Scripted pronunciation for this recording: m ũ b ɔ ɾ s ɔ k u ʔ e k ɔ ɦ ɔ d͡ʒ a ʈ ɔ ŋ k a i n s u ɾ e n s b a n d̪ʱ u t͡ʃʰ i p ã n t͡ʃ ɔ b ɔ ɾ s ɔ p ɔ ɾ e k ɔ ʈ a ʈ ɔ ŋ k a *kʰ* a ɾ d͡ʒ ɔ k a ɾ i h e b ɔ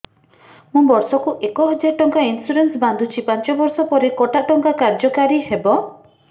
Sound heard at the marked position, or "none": k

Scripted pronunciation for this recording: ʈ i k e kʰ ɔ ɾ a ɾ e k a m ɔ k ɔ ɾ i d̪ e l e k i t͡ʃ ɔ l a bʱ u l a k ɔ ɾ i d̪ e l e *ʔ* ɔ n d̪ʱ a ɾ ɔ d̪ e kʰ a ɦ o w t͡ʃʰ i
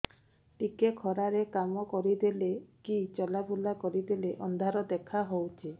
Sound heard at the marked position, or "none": ʔ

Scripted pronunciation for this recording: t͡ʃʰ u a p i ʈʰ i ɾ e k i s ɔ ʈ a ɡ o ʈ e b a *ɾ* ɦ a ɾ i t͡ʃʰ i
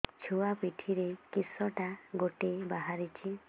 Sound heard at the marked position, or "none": none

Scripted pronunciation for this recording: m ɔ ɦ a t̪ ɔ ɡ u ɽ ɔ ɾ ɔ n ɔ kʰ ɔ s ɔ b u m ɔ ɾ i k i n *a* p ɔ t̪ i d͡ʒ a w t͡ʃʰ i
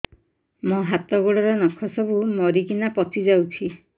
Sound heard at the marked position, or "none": a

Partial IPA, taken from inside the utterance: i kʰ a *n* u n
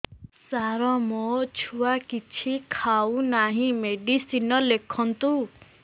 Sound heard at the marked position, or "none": none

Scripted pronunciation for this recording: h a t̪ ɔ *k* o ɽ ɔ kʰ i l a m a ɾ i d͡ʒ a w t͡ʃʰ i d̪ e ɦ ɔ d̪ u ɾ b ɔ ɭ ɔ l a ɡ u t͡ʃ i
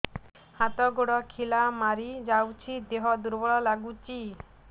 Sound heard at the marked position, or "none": ɡ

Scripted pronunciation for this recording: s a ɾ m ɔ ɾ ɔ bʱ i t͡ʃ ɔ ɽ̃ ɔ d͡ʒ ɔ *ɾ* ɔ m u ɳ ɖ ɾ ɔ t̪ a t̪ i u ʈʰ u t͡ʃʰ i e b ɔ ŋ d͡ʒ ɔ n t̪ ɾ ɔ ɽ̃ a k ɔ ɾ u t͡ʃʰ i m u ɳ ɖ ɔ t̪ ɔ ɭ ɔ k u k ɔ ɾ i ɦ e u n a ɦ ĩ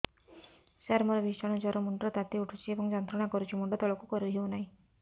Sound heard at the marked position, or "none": ɾ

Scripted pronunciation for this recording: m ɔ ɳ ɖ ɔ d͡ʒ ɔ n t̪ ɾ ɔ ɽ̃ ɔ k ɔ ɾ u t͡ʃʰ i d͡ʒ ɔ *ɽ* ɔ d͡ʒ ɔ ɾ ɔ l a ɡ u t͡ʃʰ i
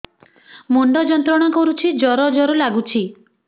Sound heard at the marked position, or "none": ɾ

